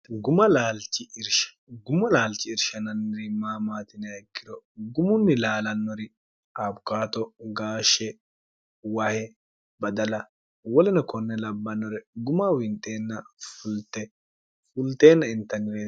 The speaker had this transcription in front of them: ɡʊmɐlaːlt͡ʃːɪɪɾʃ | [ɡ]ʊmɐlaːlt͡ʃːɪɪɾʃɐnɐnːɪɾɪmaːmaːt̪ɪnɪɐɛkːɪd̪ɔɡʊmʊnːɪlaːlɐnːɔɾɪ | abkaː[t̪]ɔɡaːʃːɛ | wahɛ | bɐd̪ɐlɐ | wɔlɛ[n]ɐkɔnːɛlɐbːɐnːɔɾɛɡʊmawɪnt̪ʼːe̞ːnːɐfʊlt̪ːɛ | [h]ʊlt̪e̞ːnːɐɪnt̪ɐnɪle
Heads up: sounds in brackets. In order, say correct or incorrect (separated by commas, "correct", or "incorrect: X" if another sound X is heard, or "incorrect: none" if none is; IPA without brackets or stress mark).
correct, correct, correct, incorrect: f